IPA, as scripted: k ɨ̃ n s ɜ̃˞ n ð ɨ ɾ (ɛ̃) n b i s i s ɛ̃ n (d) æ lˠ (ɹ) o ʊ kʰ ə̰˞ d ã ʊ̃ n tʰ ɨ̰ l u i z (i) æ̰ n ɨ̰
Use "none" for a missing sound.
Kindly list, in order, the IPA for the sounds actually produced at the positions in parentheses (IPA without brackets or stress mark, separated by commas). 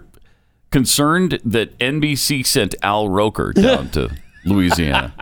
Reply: ɛ̃, t, ɹ, i